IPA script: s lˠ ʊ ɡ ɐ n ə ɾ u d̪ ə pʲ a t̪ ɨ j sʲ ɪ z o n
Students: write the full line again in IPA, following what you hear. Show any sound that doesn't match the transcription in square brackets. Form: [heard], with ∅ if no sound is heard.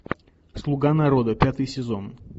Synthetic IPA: s lˠ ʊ ɡ [a] n [ɐ] ɾ [o] d̪ ə pʲ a t̪ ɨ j sʲ ɪ z o n